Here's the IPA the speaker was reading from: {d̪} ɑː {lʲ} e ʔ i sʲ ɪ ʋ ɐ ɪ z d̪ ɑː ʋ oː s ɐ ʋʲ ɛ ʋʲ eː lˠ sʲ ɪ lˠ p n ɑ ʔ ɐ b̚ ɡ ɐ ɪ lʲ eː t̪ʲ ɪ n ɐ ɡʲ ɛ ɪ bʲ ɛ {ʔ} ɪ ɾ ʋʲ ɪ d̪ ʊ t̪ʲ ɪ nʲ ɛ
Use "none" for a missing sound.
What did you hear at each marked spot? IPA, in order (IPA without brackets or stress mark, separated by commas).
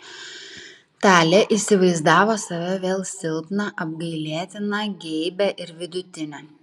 t̪, lʲ, ʔ